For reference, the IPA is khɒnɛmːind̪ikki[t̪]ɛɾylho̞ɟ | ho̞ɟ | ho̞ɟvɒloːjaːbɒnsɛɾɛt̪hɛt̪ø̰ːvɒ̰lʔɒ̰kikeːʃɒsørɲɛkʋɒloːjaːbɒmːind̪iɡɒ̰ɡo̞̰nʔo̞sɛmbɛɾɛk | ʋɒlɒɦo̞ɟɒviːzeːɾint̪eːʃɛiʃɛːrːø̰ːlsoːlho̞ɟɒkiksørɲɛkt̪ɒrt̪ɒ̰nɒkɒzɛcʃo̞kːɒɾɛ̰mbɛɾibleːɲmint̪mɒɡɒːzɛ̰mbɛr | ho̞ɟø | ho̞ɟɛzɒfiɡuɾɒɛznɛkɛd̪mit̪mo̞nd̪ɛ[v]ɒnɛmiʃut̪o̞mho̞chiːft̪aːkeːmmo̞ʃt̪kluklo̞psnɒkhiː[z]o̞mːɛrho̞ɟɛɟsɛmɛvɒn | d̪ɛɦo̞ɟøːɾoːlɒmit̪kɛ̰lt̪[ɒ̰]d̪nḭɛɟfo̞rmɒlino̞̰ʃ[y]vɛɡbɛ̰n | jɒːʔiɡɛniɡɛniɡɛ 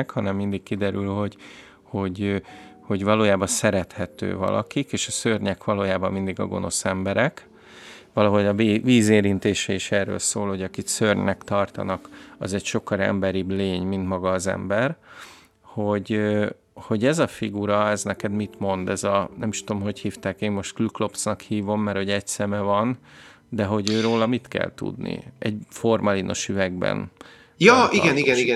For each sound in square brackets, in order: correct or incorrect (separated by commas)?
incorrect, incorrect, incorrect, incorrect, correct